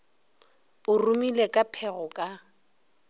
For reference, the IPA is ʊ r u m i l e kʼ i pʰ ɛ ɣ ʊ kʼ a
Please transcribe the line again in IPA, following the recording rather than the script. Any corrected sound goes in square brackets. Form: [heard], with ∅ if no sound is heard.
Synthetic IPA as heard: ʊ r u m i l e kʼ [a] pʰ ɛ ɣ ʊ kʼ a